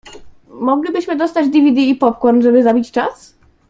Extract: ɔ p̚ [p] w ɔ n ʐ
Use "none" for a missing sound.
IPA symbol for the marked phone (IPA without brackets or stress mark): k